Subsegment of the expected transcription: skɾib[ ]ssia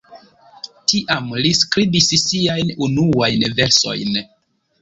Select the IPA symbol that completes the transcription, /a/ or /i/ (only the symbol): i